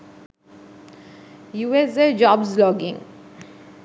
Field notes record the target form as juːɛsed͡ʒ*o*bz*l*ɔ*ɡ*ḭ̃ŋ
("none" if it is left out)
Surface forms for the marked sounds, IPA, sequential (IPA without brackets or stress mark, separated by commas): ɔ, l, ɡ